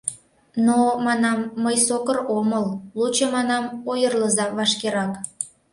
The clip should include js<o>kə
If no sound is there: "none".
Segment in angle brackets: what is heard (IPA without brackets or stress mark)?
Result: o